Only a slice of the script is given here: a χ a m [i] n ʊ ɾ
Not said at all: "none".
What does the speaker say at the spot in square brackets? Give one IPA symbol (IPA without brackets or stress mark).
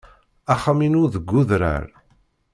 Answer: i